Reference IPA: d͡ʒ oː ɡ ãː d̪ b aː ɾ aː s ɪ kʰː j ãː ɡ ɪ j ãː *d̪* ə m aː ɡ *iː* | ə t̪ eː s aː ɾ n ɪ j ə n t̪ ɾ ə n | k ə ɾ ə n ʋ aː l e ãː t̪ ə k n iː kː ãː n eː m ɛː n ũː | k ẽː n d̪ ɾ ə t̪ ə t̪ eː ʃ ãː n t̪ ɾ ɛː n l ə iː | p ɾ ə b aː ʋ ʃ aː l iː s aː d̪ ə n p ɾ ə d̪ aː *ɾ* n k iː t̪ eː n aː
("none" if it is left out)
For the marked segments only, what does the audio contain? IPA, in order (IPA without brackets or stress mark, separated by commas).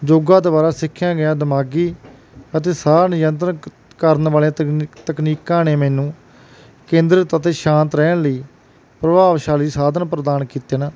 d̪, iː, none